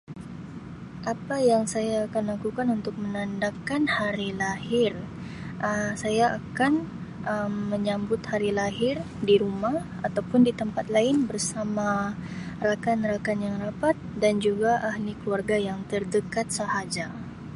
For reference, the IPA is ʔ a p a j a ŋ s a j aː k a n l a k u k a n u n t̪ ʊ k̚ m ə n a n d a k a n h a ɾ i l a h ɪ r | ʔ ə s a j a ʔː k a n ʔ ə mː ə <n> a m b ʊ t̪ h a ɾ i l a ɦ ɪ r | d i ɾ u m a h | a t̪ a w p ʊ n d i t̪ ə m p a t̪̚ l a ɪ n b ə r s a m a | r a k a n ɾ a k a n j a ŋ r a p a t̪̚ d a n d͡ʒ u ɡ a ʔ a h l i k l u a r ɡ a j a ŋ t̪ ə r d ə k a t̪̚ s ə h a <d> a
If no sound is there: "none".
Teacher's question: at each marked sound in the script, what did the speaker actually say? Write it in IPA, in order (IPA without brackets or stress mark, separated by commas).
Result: ɲ, d͡ʒ